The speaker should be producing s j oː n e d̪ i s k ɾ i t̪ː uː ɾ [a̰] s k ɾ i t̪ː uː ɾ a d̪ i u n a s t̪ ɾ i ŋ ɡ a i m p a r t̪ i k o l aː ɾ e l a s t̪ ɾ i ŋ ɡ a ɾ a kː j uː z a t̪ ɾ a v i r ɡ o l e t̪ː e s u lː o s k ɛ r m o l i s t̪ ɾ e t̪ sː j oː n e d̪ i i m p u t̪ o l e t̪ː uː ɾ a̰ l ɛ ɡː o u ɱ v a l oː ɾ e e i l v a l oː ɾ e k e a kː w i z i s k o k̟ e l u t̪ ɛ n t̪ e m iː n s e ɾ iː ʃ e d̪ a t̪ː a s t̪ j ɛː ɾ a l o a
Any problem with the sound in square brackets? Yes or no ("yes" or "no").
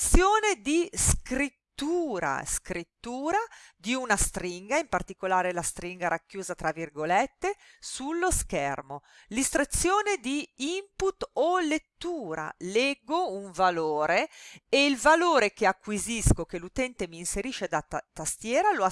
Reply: no